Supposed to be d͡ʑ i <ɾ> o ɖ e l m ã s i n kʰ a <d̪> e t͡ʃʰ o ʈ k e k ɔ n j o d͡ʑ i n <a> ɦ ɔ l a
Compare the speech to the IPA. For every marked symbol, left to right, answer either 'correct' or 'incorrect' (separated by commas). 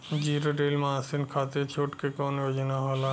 correct, incorrect, correct